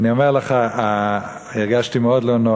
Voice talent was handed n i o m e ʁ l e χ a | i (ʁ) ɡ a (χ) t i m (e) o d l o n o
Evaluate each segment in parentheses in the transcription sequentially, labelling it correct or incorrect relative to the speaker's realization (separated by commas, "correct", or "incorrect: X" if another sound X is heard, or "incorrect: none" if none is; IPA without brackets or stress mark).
correct, incorrect: ʃ, correct